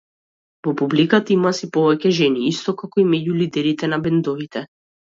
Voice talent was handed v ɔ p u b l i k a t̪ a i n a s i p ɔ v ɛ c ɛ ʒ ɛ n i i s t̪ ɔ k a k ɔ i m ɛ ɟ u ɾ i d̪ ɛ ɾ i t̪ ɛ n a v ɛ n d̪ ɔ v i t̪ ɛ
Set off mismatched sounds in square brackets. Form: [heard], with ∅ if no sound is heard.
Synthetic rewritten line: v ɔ p u b l i k a t̪ a i [m] a s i p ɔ v ɛ c ɛ ʒ ɛ n i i s t̪ ɔ k a k ɔ i m ɛ ɟ u [l] i d̪ ɛ ɾ i t̪ ɛ n a [b] ɛ n d̪ ɔ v i t̪ ɛ